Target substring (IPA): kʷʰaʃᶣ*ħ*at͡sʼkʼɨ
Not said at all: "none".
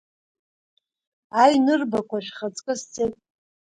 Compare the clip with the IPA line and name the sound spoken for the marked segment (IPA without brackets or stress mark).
χ